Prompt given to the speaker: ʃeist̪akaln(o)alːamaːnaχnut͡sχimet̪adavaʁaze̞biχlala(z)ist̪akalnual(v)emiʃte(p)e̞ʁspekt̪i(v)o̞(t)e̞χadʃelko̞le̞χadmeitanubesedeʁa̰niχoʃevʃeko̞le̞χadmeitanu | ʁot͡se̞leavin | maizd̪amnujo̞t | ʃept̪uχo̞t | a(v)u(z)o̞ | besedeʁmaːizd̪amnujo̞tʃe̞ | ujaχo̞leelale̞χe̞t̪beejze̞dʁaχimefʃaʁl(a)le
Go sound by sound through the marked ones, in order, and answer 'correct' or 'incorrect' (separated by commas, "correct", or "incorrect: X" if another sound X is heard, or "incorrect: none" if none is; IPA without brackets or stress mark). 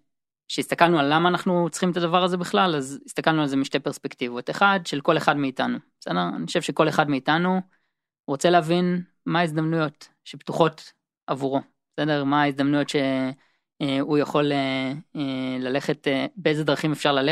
incorrect: u, correct, incorrect: z, correct, correct, correct, correct, incorrect: ʁ, correct